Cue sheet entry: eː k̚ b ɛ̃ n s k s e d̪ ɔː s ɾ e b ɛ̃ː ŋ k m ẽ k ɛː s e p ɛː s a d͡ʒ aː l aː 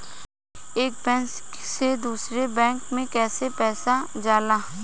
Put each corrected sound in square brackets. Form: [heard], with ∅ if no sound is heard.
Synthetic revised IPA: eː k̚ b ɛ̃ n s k s e d̪ [uː] s ɾ e b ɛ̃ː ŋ k m ẽ k ɛː s e p ɛː s a d͡ʒ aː l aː